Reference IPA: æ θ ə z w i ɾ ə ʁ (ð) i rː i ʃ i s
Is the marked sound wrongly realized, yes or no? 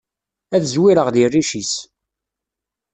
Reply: no